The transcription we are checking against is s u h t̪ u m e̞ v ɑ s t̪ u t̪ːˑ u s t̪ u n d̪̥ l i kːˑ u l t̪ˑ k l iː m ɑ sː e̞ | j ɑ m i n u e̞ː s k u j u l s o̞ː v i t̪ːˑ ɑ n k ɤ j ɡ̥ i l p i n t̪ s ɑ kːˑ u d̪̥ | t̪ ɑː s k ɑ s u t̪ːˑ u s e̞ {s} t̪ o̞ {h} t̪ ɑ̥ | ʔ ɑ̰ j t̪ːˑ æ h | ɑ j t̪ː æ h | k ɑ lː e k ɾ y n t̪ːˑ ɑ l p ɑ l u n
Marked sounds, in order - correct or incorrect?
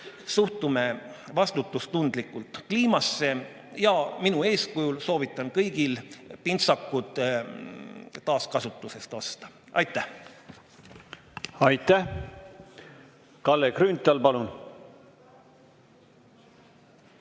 correct, incorrect: s

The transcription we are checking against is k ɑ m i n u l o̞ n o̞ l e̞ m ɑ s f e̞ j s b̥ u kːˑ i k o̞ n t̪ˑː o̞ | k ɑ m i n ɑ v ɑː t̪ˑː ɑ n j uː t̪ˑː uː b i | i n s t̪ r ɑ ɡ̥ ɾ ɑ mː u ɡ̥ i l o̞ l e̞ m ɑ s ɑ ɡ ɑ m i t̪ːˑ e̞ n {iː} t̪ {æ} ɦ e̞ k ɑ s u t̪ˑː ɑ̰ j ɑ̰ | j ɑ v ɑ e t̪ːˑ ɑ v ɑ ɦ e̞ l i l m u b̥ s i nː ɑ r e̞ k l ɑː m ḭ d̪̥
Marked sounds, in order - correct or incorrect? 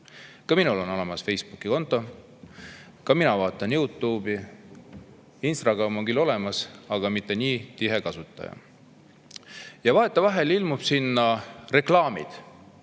correct, incorrect: i

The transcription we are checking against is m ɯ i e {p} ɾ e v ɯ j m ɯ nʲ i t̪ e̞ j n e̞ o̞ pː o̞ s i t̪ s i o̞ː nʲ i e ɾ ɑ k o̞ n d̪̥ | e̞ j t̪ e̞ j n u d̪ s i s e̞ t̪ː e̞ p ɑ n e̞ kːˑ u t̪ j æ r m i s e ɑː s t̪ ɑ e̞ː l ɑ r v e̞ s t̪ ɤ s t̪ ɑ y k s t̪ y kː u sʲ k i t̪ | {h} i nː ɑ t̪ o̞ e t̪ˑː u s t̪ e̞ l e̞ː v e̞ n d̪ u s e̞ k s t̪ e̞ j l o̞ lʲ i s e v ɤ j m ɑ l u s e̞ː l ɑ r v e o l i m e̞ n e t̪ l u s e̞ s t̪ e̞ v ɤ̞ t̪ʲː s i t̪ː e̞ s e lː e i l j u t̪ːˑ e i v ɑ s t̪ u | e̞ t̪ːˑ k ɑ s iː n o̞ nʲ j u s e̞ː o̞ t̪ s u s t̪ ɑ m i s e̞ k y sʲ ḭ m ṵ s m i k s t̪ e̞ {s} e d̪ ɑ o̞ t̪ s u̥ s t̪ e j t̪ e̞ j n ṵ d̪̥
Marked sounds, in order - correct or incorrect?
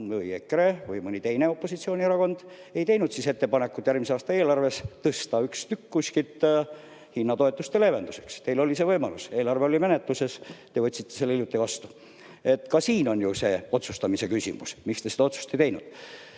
incorrect: k, correct, correct

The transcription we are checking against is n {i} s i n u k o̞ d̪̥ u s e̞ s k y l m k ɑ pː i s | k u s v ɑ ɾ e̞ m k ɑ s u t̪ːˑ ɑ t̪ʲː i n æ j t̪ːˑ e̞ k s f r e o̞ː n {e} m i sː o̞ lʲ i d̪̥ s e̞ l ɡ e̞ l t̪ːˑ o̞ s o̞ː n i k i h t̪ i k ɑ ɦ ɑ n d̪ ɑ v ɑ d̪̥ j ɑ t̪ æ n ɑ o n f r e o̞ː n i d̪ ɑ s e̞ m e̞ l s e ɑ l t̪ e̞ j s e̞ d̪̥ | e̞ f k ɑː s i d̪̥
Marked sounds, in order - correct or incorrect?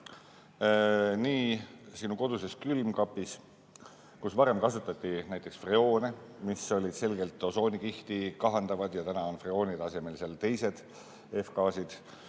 incorrect: iː, correct

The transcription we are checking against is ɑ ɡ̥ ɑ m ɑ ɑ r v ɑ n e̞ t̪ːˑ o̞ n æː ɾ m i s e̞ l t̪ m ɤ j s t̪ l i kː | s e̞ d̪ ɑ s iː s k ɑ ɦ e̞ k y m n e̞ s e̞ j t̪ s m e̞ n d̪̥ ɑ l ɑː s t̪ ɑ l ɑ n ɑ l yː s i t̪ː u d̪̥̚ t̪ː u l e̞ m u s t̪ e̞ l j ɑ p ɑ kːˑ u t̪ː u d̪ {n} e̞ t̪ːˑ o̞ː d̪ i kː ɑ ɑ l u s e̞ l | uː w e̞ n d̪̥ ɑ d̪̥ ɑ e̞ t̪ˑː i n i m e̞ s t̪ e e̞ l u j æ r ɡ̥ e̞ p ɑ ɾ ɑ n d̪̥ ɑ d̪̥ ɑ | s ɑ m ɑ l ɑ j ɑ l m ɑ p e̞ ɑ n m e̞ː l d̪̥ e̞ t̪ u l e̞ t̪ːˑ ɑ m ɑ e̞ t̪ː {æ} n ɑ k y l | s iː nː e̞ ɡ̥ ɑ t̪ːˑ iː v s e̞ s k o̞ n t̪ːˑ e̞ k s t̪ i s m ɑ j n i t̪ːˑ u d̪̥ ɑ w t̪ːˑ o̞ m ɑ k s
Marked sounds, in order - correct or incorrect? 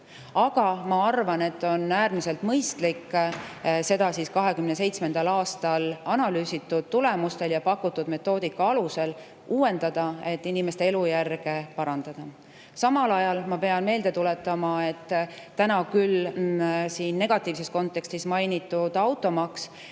incorrect: m, correct

